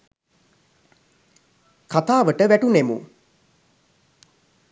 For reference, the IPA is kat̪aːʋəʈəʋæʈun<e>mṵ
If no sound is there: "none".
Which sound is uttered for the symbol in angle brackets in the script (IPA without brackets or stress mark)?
e